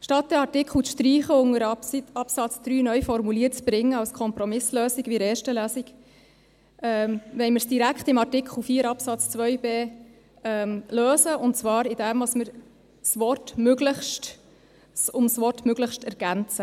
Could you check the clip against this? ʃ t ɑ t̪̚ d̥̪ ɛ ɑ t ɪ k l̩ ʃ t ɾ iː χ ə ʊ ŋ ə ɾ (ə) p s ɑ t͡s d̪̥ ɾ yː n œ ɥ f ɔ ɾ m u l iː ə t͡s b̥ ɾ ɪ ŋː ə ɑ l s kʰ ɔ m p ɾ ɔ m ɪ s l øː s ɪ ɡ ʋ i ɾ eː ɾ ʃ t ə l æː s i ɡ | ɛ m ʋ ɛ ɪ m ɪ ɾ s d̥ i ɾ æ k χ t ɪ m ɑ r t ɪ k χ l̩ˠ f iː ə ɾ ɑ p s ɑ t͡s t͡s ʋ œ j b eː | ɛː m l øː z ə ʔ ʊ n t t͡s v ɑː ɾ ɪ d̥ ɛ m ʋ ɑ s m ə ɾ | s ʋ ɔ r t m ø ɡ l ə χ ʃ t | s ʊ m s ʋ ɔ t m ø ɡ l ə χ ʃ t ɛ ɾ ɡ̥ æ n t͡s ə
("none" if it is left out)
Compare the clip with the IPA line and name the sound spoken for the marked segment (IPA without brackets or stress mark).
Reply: ɑ